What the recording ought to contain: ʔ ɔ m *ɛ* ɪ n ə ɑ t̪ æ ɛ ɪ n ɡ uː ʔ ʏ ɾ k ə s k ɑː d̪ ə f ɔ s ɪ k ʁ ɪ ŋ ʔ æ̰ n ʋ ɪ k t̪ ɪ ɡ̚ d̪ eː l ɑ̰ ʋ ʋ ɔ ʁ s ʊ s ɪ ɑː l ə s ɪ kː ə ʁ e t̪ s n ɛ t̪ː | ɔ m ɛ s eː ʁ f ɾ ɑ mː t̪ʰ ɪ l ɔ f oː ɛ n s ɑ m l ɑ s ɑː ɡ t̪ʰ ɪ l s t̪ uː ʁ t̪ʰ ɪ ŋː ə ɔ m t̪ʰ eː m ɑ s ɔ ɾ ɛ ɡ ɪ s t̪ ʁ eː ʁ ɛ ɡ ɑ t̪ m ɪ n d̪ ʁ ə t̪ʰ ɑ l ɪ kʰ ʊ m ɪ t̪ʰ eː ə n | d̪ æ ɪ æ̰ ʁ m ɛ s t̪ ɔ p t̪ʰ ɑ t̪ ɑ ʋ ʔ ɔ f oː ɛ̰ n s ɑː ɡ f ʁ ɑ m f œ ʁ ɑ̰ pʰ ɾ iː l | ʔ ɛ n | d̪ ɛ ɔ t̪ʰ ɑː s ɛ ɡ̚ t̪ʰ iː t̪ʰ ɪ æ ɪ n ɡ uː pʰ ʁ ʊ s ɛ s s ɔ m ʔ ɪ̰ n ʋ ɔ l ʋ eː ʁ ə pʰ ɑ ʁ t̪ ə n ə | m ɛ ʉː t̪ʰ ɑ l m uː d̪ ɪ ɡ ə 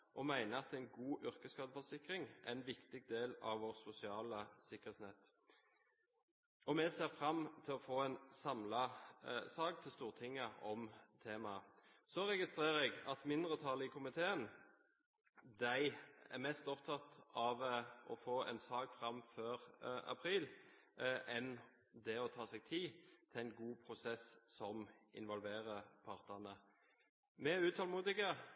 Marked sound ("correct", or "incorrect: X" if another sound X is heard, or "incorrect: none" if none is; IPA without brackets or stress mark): incorrect: æ